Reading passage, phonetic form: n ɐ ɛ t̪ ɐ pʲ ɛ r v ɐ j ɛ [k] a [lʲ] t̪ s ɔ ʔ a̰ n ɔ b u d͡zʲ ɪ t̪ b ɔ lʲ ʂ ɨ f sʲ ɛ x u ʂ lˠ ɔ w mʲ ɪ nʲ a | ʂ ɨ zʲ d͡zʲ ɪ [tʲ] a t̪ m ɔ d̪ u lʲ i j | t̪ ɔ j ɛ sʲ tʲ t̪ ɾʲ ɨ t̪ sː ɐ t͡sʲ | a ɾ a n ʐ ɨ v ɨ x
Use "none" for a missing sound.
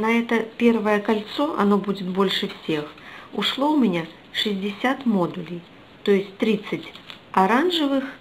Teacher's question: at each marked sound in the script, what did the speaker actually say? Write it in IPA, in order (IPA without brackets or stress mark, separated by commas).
k, lʲ, sʲ